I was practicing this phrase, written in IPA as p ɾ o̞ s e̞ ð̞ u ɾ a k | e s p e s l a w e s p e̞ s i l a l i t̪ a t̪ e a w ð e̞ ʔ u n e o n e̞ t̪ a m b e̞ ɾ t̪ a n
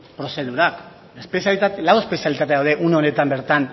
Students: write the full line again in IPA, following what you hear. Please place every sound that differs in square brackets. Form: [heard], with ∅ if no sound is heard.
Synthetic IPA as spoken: p ɾ o̞ s e̞ ð̞ u ɾ a k | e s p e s l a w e s p e̞ s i [∅] a l i t̪ a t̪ e a w ð e̞ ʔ u n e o n e̞ t̪ a m b e̞ ɾ t̪ a n